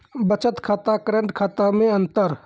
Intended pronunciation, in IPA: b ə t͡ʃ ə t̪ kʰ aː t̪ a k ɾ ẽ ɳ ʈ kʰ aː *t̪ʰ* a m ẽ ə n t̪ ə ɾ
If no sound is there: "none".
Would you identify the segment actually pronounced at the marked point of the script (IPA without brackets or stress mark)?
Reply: t̪